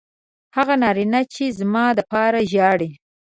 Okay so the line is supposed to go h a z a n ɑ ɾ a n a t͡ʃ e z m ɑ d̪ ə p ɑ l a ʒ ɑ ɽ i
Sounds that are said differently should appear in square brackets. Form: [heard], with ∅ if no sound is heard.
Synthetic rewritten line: h a [ɣ] a n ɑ ɾ [i] n a t͡ʃ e z m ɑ d̪ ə p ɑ [ɾ] a ʒ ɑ ɽ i